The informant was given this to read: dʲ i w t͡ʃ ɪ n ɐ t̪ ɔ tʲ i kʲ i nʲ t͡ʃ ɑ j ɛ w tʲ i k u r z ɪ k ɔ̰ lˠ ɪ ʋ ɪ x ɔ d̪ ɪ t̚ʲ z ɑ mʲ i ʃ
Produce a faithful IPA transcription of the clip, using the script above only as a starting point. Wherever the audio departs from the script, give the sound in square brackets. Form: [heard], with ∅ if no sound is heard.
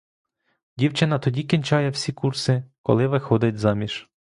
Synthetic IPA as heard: dʲ i w t͡ʃ ɪ n ɐ t̪ ɔ [dʲ] i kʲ i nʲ t͡ʃ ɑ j ɛ w [sʲ] i k u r [s] ɪ k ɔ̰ lˠ ɪ ʋ ɪ x ɔ d̪ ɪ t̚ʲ z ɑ mʲ i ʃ